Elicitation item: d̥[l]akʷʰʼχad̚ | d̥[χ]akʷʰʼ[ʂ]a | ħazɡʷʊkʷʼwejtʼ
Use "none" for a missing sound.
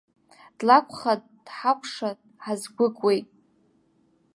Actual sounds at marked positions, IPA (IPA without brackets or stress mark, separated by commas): l, ħ, ʂ